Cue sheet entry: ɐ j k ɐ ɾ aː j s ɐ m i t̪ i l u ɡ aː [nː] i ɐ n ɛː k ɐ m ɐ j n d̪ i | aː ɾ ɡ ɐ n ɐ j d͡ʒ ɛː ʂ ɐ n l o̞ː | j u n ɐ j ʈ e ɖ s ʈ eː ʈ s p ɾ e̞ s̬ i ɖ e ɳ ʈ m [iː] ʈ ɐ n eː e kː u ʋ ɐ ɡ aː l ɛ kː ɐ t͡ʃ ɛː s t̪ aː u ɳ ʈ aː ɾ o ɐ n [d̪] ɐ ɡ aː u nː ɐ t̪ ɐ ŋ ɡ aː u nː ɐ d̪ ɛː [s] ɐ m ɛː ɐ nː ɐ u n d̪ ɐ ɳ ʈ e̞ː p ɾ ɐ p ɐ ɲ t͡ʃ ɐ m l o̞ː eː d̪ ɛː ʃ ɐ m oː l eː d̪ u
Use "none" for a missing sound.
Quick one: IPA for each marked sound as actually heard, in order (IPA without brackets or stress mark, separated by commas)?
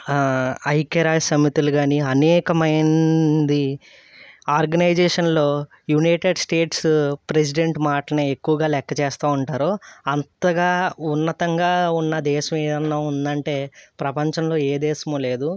n, aː, t̪, ʃ